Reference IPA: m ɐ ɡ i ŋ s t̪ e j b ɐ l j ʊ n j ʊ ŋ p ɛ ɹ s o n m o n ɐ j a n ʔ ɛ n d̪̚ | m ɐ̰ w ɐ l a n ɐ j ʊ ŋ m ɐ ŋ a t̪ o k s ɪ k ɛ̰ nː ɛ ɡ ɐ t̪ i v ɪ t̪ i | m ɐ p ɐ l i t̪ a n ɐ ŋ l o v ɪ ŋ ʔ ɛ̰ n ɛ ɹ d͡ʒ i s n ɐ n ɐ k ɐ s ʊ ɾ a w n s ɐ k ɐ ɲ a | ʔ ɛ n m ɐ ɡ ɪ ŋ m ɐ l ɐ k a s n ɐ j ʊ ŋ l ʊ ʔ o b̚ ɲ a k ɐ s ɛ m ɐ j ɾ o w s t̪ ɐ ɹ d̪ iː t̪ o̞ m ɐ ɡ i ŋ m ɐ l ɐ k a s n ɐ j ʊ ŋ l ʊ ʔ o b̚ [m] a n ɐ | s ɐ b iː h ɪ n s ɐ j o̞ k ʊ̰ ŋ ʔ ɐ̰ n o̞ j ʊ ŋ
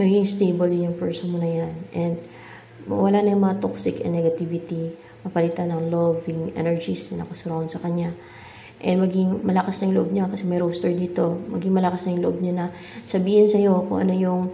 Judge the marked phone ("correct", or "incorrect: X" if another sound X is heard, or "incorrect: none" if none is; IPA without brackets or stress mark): incorrect: ɲ